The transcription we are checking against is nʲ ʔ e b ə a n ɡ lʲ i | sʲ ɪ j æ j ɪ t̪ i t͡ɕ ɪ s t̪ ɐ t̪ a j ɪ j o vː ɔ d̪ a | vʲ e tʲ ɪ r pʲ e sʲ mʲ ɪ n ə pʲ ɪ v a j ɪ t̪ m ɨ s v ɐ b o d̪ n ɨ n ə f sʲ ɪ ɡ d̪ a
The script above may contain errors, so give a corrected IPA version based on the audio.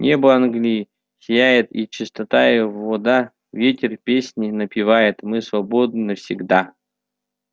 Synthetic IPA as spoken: nʲ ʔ e b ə a n ɡ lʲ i | sʲ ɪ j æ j ɪ t̪ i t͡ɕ ɪ s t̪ ɐ t̪ a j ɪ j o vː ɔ d̪ a | vʲ e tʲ ɪ r pʲ e sʲ nʲ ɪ n ə pʲ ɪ v a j ɪ t̪ m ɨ s v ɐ b o d̪ n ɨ n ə f sʲ ɪ ɡ d̪ a